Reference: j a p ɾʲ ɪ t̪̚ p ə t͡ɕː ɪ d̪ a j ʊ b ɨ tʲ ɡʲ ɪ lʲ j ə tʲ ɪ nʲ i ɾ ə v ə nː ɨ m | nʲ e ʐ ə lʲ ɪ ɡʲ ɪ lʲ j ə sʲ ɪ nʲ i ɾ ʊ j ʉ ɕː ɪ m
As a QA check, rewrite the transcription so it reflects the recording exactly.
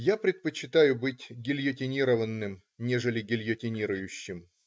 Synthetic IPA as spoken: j a p ɾʲ ɪ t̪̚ p ə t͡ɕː ɪ t̪ a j ʊ b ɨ tʲ ɡʲ ɪ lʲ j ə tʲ ɪ nʲ i ɾ ə v ə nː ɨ m | nʲ e ʐ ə lʲ ɪ ɡʲ ɪ lʲ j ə tʲ ɪ nʲ i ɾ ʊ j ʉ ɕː ɪ m